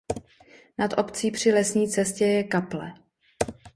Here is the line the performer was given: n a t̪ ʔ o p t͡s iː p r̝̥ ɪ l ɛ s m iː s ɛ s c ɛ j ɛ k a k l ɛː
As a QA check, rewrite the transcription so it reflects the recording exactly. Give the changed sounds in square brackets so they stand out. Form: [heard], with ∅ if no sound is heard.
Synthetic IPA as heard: n a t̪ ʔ o p t͡s iː p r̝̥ ɪ l ɛ s [ɲ] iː [t͡s] ɛ s c ɛ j ɛ k a [p] l [ɛ]